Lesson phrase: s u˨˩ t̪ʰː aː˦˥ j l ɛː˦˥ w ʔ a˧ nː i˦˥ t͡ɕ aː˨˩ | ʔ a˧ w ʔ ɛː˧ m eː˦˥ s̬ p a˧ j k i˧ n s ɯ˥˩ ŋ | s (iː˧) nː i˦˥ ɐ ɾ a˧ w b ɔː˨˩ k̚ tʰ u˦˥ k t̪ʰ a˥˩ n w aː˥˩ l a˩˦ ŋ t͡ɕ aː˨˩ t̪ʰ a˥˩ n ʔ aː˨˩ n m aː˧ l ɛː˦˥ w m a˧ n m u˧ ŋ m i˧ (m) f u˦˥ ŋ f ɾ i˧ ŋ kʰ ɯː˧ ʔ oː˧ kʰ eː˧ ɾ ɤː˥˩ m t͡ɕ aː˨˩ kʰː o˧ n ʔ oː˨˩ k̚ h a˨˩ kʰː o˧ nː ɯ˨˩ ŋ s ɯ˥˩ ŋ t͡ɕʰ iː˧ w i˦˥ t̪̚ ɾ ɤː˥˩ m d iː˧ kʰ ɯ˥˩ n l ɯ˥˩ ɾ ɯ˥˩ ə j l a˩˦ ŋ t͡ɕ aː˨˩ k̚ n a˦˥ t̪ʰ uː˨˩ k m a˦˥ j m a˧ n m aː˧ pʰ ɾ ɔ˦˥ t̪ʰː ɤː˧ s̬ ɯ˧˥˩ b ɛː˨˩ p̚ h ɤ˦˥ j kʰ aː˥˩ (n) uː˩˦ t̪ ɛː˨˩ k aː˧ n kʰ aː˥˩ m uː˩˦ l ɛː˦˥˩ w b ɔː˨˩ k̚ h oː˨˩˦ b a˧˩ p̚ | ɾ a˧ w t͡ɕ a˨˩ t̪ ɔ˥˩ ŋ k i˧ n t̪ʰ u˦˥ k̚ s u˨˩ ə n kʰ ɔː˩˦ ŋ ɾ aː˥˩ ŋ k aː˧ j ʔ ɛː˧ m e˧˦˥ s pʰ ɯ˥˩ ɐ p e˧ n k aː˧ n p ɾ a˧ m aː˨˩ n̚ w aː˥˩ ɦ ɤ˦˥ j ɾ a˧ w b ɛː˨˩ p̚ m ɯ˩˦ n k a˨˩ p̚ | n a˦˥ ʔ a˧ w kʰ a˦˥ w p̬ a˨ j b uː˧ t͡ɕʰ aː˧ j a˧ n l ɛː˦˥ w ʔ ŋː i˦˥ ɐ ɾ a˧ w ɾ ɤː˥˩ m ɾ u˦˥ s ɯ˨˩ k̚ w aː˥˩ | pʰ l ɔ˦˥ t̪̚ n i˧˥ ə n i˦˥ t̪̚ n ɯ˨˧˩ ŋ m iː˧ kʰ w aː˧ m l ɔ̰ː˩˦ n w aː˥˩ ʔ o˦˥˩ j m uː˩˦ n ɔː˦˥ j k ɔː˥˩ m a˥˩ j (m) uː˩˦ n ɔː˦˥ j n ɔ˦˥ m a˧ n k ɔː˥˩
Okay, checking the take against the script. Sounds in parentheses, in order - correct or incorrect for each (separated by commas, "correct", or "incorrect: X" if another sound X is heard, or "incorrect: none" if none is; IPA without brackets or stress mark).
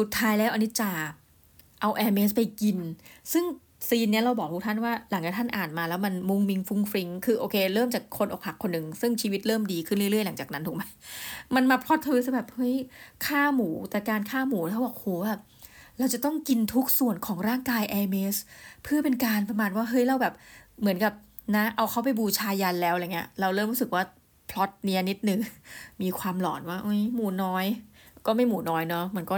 correct, incorrect: ŋ, incorrect: m, correct